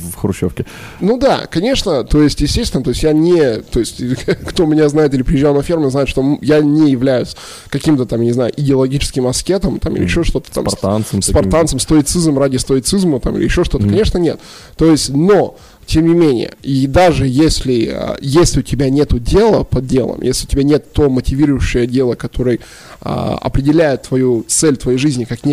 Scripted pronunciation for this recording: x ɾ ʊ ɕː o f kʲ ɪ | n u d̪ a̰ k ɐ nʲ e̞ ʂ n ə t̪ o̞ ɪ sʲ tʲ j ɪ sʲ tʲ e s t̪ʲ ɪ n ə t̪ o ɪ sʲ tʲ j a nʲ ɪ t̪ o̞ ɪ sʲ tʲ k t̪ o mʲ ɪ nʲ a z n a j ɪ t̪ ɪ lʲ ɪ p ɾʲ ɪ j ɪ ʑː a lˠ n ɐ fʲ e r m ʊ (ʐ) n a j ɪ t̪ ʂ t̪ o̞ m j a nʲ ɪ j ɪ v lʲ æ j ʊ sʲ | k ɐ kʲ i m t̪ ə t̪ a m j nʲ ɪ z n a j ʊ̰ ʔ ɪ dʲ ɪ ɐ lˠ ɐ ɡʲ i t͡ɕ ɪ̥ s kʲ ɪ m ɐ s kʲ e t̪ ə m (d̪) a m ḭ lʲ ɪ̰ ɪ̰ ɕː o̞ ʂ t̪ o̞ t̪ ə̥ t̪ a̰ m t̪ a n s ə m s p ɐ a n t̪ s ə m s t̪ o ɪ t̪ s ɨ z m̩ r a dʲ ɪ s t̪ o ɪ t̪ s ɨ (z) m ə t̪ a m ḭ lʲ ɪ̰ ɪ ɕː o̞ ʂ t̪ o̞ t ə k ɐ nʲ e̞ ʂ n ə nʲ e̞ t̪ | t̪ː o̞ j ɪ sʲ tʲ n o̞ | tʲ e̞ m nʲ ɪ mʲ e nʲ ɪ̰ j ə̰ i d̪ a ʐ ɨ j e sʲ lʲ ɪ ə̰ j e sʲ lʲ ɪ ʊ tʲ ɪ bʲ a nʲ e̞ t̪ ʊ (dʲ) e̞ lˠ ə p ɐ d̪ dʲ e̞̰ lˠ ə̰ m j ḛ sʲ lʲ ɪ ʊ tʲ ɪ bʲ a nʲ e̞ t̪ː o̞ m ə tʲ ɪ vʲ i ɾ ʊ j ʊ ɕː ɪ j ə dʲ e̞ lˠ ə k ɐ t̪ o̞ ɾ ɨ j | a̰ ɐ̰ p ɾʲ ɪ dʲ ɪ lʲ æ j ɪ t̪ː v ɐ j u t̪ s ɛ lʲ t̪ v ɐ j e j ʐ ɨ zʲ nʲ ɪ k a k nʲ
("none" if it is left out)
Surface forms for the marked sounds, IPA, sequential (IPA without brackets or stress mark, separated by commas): z, t̪, z, dʲ